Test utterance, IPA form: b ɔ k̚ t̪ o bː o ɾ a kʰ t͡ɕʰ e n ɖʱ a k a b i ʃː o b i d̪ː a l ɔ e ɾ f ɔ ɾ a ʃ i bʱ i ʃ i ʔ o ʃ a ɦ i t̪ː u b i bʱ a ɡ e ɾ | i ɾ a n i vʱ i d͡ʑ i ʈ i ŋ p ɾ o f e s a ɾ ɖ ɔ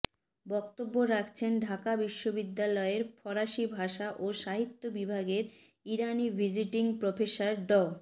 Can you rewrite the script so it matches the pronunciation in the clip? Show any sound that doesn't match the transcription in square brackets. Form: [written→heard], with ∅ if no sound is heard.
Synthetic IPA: b ɔ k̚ t̪ o bː o ɾ a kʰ t͡ɕʰ e n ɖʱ a k a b i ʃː o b i d̪ː a l ɔ e ɾ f ɔ ɾ a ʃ i bʱ [i→a] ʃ [i→a] ʔ o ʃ a ɦ i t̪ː [u→o] b i bʱ a ɡ e ɾ | i ɾ a n i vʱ i d͡ʑ i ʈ i ŋ p ɾ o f e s a ɾ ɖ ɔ